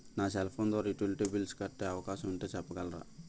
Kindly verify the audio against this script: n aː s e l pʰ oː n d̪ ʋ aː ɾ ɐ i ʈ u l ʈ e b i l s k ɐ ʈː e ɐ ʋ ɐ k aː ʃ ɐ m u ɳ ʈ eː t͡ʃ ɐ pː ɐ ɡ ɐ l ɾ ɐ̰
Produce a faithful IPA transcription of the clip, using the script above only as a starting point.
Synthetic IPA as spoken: n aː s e l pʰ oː n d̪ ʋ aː ɾ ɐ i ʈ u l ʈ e b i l s k ɐ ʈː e ɐ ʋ ɐ k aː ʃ ɐ m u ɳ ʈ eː t͡ʃ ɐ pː ɐ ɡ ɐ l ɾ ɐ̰